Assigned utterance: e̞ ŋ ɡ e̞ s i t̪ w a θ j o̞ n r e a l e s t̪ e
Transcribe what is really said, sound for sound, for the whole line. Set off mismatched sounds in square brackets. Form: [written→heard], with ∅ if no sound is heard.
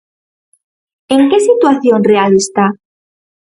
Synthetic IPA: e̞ ŋ [ɡ→k] e̞ s i t̪ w a θ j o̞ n r e a l e s t̪ [e→a]